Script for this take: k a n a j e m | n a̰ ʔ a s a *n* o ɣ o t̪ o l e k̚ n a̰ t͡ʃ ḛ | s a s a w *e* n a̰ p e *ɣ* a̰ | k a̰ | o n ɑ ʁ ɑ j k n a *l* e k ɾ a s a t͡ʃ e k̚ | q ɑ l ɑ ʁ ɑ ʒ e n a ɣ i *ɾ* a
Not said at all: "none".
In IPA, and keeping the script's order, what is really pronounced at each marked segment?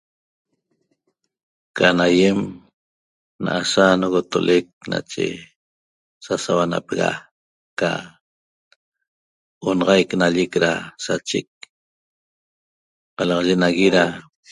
n, a, ɣ, ʎ, ɾ

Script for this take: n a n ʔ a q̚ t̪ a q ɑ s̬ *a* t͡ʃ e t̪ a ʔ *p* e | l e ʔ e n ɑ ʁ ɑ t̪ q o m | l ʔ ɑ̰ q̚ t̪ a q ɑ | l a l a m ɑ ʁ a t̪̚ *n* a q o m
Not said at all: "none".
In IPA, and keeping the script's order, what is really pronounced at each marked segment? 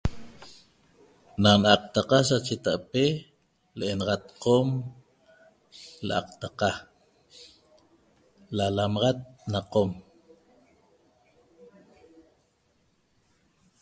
a, p, n

